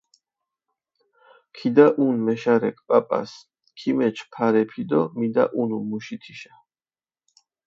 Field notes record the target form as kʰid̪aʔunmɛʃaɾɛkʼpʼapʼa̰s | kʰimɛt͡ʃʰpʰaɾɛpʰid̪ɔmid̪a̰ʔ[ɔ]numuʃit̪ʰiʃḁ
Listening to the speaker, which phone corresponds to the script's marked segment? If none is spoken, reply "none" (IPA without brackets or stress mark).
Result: u